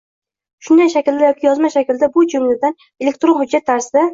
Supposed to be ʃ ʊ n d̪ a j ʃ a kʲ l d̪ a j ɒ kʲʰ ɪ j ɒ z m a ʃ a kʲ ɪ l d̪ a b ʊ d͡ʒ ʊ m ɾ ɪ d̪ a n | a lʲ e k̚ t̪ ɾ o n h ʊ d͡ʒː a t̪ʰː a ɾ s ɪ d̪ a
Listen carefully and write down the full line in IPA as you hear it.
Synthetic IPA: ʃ ʊ n d̪ a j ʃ a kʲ l d̪ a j ɒ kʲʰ ɪ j ɒ z m a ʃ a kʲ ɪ l d̪ a b ʊ d͡ʒ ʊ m l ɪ d̪ a n | e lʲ e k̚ t̪ ɾ o n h ʊ d͡ʒː a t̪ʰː a ɾ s ɪ d̪ a